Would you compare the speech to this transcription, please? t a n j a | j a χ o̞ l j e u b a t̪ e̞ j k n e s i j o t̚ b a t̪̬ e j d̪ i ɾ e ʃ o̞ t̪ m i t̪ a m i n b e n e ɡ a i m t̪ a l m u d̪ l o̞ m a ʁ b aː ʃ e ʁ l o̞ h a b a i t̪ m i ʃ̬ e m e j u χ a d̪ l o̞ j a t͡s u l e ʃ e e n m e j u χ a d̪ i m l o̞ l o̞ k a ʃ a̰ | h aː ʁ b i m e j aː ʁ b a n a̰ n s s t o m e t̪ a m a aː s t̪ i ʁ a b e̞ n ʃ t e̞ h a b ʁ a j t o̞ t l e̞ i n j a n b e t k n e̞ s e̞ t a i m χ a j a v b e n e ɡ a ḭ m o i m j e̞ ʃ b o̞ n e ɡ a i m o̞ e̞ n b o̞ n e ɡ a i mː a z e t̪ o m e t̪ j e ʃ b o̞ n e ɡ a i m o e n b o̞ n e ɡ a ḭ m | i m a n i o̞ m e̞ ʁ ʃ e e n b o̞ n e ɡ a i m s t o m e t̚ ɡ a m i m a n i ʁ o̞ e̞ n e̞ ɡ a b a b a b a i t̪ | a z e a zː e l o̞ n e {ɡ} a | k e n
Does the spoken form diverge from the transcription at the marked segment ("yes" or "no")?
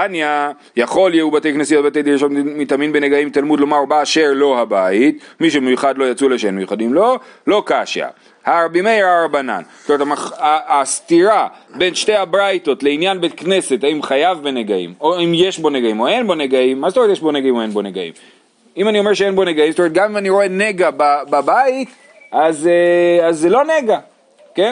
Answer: no